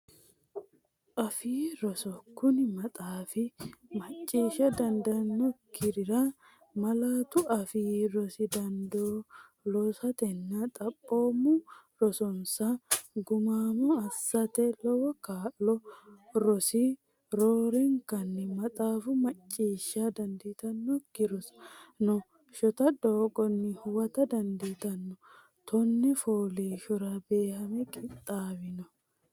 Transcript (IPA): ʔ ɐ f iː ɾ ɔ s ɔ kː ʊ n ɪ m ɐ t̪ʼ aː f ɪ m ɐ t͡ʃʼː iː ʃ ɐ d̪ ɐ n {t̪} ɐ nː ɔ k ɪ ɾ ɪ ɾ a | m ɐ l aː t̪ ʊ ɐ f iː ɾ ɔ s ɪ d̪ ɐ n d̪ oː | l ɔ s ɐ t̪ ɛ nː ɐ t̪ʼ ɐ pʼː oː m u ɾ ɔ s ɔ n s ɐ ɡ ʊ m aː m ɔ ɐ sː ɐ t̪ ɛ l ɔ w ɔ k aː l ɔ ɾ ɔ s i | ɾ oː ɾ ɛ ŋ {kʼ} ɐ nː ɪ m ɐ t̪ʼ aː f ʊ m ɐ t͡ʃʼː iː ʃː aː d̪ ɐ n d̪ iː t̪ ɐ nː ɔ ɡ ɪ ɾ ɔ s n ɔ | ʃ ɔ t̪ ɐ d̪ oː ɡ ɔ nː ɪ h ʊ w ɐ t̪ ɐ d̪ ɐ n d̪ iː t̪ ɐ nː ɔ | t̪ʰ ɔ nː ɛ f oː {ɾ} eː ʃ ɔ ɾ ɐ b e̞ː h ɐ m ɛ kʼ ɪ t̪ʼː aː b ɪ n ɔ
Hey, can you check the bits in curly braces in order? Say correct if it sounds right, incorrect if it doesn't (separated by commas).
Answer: incorrect, incorrect, incorrect